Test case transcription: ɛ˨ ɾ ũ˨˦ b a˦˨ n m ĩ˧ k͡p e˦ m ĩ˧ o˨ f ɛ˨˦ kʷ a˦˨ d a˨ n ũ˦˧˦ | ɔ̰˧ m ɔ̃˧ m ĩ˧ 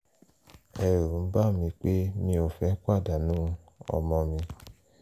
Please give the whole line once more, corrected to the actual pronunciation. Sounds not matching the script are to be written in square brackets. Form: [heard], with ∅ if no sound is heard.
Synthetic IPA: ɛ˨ ɾ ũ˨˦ b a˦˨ [∅] m ĩ˧ k͡p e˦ m ĩ˧ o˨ f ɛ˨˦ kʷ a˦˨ d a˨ n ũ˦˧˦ | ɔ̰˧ m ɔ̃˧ m ĩ˧